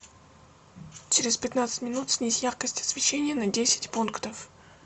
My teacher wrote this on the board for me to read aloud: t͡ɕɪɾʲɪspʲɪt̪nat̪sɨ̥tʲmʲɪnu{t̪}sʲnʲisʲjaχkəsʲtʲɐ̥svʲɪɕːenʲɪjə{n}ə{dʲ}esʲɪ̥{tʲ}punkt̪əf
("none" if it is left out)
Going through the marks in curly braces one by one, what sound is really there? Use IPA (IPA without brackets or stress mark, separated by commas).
t̪, n, dʲ, tʲ